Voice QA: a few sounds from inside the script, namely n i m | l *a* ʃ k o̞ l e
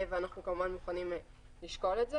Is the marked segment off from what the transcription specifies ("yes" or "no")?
yes